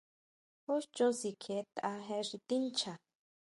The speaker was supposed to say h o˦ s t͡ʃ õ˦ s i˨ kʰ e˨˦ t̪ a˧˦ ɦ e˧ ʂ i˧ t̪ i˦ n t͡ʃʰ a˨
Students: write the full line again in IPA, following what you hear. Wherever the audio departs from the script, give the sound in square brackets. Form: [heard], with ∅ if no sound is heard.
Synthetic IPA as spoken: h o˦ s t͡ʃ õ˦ s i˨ kʰ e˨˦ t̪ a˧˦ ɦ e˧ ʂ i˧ t̪ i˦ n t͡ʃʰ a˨